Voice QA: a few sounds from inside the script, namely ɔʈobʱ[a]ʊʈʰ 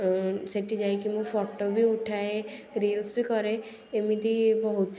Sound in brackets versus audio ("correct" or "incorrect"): incorrect